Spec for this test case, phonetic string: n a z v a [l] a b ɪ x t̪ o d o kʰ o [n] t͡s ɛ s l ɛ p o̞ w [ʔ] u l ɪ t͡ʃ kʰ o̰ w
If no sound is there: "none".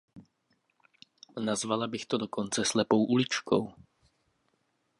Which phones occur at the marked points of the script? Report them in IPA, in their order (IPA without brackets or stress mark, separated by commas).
l, n, ʔ